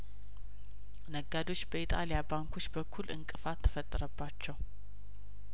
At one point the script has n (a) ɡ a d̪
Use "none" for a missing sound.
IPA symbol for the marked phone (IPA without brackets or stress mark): ə